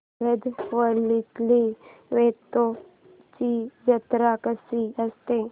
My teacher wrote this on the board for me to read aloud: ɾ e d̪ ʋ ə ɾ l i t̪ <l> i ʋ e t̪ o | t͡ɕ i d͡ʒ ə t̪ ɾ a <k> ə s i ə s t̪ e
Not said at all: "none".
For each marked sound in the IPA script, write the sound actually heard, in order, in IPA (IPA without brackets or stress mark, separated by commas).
l, k